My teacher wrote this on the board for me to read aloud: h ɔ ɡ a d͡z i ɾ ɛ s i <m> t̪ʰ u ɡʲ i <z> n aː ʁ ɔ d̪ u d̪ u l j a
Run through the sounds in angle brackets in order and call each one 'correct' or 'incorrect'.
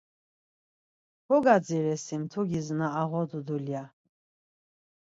correct, correct

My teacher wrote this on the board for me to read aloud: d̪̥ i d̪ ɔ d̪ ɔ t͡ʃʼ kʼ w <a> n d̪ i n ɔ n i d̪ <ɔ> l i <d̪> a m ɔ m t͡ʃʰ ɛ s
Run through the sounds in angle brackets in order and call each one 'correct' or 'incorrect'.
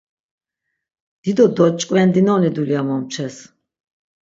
incorrect, incorrect, incorrect

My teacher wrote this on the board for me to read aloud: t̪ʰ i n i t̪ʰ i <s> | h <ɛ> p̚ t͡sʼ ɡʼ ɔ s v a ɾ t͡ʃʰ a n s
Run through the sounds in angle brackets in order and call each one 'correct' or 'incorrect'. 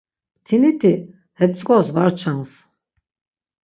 incorrect, correct

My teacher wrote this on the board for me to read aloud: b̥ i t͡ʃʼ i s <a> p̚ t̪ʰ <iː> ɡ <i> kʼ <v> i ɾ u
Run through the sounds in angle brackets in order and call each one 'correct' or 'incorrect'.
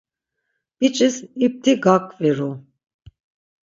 incorrect, incorrect, incorrect, correct

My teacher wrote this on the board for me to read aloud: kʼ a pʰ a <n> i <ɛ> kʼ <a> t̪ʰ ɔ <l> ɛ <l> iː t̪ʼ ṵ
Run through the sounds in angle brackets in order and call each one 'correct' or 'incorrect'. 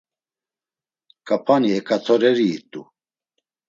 correct, correct, correct, incorrect, incorrect

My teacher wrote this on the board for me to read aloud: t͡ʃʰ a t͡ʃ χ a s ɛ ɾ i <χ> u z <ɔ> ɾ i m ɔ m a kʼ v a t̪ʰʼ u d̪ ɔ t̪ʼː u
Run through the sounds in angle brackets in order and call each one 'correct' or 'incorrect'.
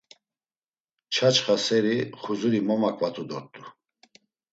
correct, incorrect

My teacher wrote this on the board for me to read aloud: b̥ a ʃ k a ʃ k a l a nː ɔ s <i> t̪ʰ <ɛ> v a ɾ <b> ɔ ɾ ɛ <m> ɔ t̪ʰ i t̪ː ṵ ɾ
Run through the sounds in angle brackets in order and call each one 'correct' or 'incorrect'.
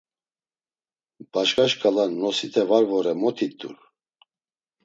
correct, correct, incorrect, correct

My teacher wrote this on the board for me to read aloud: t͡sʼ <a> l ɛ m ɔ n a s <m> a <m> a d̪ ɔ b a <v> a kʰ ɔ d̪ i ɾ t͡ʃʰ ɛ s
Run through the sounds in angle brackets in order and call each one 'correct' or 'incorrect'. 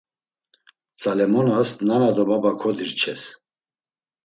correct, incorrect, incorrect, incorrect

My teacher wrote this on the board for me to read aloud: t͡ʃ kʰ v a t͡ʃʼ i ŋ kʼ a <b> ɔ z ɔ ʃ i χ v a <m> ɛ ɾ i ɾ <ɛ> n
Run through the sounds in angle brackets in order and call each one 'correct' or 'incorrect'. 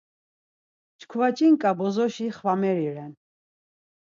correct, correct, correct

